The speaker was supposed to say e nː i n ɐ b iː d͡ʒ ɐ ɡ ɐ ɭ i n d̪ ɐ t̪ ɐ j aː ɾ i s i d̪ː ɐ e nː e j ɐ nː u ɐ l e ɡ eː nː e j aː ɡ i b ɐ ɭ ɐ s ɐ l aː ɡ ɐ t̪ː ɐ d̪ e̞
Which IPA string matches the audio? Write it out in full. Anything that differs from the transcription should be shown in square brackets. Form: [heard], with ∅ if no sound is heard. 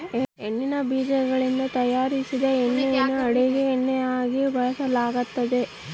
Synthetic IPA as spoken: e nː i n ɐ b iː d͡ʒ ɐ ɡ ɐ ɭ i n d̪ ɐ t̪ ɐ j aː ɾ i s i [d̪] ɐ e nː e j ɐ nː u ɐ [ɽ] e ɡ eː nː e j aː ɡ i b ɐ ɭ ɐ s ɐ l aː ɡ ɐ t̪ː ɐ d̪ e̞